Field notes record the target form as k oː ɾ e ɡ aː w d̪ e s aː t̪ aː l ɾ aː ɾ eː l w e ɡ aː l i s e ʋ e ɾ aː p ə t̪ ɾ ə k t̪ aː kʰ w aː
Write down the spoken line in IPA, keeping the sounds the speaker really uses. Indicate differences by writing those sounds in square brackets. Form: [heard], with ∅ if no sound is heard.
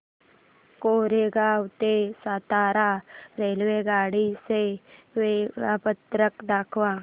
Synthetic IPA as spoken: k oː ɾ e ɡ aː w [t̪] e s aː t̪ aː [∅] ɾ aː ɾ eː l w e ɡ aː [ɽ] i s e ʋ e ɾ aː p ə t̪ ɾ ə k [d̪] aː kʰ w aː